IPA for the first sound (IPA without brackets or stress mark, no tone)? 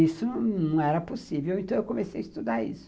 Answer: i